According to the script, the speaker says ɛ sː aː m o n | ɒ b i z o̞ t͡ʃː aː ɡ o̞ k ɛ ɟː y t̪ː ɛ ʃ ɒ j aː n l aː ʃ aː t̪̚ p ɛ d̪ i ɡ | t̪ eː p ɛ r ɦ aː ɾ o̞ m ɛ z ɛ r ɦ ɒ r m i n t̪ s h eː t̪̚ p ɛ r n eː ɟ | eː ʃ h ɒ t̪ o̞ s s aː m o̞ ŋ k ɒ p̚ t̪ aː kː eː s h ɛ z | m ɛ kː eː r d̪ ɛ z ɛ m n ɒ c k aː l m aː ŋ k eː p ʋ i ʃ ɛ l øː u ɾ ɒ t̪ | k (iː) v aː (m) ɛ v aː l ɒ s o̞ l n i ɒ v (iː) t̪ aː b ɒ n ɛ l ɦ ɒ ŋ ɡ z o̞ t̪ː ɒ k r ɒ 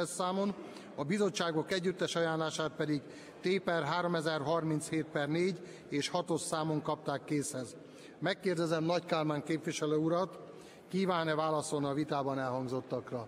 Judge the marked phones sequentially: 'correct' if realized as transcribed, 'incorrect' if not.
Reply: correct, incorrect: n, incorrect: i

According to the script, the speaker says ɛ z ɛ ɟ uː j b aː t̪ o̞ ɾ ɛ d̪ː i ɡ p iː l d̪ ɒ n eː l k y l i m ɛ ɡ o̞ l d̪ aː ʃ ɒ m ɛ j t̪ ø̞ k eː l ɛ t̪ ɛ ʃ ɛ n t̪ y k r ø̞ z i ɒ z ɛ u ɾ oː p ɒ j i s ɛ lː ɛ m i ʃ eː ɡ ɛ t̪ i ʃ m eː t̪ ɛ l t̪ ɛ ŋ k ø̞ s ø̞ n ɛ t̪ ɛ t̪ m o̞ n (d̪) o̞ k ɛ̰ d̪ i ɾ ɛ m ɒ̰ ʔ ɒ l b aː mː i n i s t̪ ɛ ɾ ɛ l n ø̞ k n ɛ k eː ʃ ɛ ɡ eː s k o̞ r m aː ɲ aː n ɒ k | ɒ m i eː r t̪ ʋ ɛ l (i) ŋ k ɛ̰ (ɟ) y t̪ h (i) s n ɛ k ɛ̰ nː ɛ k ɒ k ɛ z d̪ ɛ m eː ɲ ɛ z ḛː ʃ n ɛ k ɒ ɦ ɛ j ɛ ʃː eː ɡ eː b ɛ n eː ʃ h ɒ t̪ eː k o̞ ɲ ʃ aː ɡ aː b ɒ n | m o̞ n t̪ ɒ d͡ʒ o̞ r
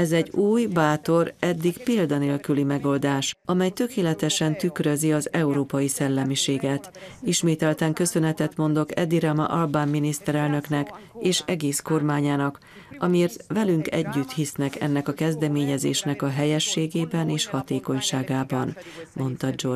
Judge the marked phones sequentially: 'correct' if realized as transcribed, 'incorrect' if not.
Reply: correct, incorrect: y, incorrect: ɟː, correct

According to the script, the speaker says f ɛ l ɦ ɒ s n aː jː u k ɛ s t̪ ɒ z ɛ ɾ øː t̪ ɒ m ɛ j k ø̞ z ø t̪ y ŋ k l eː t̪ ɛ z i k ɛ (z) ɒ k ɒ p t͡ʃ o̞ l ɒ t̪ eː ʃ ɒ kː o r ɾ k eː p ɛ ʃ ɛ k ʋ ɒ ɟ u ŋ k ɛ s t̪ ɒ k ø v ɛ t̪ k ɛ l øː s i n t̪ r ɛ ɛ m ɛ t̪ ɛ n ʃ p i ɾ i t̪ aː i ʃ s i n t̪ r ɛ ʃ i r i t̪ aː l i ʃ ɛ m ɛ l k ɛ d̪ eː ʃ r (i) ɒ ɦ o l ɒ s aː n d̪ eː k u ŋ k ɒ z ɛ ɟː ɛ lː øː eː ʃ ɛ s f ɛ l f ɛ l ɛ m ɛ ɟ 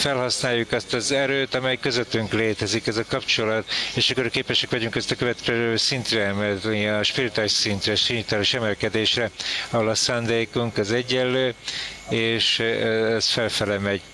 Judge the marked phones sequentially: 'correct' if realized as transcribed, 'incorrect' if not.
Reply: correct, incorrect: ɛ

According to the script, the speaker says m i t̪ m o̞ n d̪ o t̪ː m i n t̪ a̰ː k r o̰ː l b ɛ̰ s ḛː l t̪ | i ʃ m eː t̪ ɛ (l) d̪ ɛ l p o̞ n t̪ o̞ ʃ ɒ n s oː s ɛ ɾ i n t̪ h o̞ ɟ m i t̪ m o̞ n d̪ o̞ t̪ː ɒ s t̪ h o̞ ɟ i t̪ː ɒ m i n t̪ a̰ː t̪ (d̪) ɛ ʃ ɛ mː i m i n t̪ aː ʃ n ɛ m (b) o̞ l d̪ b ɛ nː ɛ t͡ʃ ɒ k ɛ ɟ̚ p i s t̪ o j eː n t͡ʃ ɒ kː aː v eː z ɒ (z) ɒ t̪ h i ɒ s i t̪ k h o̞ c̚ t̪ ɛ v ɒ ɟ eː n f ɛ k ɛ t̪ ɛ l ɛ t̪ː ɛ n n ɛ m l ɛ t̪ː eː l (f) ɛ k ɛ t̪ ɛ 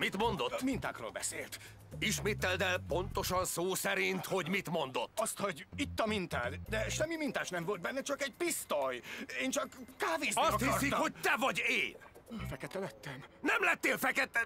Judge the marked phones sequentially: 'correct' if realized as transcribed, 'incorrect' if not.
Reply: correct, correct, incorrect: v, incorrect: s, correct

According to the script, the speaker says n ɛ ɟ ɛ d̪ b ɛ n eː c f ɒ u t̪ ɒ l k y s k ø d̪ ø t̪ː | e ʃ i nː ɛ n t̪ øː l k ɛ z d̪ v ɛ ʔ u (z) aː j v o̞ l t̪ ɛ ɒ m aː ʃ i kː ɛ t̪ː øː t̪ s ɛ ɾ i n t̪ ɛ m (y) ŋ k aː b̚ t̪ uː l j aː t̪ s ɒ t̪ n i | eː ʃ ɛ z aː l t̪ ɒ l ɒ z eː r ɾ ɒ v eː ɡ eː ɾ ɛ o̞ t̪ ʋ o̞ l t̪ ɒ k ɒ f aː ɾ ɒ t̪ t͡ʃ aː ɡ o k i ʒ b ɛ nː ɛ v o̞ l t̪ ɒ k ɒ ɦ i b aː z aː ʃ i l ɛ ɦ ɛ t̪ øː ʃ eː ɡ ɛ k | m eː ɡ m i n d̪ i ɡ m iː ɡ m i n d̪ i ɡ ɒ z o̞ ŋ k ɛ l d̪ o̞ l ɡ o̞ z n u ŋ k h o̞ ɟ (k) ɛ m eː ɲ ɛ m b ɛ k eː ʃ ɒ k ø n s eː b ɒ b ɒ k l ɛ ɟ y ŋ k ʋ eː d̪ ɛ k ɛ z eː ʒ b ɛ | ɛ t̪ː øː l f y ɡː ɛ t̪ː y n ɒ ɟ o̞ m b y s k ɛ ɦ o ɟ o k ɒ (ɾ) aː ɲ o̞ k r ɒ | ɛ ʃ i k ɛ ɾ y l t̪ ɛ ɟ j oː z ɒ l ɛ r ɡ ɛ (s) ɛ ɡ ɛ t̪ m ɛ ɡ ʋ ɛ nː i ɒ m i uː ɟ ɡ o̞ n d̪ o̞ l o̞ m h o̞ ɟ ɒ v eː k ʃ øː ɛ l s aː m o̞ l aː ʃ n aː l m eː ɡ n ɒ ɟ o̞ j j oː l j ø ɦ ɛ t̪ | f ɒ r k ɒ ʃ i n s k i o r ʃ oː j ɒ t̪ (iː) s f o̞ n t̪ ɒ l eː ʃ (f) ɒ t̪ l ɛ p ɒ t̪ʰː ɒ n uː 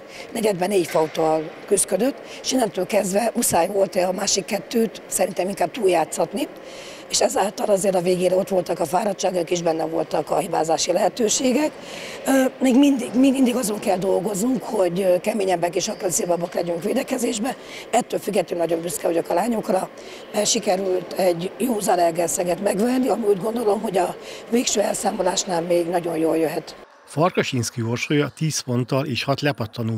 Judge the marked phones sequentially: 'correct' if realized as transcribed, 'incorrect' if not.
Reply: incorrect: s, incorrect: i, correct, incorrect: l, correct, correct, incorrect: h

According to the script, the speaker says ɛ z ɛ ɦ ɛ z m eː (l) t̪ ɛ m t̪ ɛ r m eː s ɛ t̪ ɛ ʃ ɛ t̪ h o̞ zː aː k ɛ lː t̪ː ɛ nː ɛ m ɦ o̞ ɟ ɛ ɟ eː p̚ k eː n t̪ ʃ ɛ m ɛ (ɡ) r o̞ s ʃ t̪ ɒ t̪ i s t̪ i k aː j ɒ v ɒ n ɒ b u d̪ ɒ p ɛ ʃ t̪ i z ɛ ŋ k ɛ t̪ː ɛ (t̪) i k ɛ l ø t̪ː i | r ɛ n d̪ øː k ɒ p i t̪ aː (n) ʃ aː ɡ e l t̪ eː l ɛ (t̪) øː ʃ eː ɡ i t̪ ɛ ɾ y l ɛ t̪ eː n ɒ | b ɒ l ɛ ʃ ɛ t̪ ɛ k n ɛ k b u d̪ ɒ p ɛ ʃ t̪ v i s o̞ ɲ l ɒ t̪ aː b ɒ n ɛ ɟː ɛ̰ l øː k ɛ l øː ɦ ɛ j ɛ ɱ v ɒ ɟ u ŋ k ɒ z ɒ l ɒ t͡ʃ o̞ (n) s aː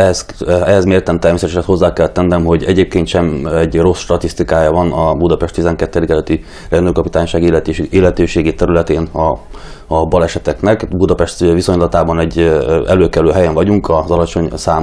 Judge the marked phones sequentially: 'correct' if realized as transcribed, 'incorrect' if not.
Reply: incorrect: r, incorrect: ɟ, incorrect: d̪, incorrect: ɲ, correct, incorrect: ɲ

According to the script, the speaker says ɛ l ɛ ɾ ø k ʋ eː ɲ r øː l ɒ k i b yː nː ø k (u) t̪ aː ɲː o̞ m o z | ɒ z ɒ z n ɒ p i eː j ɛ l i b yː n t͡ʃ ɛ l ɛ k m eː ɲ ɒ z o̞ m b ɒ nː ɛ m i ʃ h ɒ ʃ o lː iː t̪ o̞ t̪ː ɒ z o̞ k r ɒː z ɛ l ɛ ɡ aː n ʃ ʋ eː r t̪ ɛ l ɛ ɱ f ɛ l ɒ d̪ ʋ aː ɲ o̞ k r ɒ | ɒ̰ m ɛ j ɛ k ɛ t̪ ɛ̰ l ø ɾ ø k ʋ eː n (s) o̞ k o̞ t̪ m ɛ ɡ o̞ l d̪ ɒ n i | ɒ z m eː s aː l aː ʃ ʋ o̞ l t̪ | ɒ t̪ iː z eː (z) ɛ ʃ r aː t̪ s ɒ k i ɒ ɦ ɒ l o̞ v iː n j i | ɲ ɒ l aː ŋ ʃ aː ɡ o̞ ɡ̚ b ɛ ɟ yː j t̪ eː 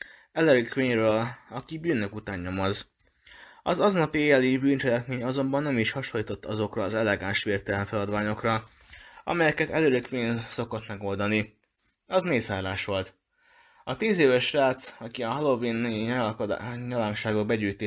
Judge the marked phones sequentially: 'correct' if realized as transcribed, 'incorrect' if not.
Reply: correct, correct, incorrect: v

